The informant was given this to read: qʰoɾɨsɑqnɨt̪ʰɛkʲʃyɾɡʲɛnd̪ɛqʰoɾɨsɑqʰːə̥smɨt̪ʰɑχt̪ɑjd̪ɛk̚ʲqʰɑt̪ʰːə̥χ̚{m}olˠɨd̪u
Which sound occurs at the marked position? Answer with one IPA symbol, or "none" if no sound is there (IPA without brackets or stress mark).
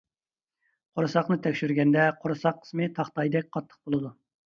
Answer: b